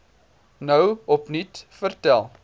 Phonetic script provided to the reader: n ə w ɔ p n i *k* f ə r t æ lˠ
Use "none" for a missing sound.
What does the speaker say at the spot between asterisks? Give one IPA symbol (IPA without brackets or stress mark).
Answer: t